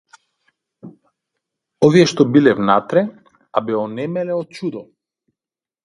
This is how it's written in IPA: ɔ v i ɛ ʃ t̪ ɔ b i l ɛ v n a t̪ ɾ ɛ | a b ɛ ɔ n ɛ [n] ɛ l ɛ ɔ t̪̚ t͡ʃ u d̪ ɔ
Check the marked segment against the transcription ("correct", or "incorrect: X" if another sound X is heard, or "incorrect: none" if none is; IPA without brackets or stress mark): incorrect: m